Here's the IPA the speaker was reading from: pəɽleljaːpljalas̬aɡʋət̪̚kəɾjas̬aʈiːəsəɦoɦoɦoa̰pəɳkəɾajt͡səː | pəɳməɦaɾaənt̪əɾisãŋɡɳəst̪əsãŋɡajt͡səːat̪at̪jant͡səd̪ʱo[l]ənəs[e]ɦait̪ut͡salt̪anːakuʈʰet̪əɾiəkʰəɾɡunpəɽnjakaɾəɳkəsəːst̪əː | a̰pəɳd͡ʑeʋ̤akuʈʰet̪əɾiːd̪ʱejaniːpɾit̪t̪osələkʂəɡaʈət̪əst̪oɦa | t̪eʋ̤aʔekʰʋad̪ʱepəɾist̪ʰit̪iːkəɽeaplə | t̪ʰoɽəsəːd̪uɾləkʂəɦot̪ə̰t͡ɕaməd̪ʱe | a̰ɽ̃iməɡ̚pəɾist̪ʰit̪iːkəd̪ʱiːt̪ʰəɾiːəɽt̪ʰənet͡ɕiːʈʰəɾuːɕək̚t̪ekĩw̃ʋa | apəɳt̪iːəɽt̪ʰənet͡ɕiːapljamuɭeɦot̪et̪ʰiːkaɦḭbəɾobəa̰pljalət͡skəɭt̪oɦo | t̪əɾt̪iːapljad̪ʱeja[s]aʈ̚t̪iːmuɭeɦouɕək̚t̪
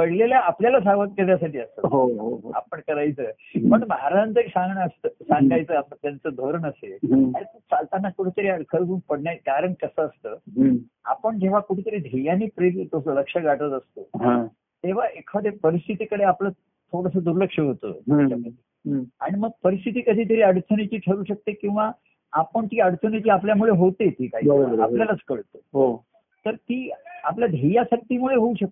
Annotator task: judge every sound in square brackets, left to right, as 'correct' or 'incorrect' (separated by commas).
incorrect, correct, correct